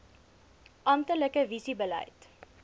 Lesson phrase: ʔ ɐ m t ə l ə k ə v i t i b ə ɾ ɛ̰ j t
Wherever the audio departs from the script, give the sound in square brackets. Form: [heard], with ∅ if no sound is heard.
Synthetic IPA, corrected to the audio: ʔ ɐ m t ə l ə k ə v i [s] i b ə [l] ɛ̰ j t